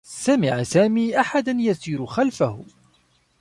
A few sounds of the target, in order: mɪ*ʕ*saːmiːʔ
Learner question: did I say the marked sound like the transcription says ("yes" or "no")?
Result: yes